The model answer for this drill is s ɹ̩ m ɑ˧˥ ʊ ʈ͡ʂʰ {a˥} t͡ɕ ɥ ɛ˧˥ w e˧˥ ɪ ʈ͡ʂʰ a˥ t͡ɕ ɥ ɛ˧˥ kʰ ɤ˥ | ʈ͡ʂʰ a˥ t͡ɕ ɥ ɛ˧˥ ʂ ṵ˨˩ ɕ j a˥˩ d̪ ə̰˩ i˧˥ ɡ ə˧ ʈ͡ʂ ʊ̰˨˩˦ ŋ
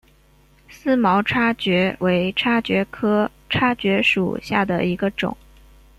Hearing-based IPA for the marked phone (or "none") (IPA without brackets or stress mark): a˥